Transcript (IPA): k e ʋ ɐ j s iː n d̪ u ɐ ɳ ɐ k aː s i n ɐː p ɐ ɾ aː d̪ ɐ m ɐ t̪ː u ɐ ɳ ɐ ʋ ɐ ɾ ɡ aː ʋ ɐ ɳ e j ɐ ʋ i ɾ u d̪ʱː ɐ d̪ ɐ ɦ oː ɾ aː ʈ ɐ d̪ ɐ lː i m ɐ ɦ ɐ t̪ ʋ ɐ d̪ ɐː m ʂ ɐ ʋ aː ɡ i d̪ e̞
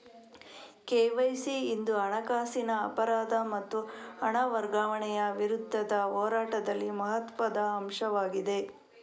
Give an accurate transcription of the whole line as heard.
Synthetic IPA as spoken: k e ʋ ɐ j s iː n d̪ u ɐ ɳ ɐ k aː s i n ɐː p ɐ ɾ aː d̪ ɐ m ɐ t̪ː u ɐ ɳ ɐ ʋ ɐ ɾ ɡ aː ʋ ɐ ɳ ɛ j ɐ ʋ i ɾ u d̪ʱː ɐ d̪ ɐ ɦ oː ɾ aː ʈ ɐ d̪ ɐ lː i m ɐ ɦ ɐ t̪ ʋ ɐ d̪ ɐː m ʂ ɐ ʋ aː ɡ i d̪ e̞